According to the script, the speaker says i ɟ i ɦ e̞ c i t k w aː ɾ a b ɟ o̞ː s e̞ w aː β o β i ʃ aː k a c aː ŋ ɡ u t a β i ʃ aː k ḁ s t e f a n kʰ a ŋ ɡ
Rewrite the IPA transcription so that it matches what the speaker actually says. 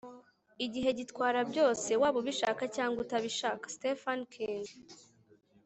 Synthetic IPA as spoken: i ɟ i ɦ e̞ ɟ i t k w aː ɾ a b ɟ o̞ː s e̞ w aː β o β i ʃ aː k a c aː ŋ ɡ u t a β i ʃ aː k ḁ s t e f a n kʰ i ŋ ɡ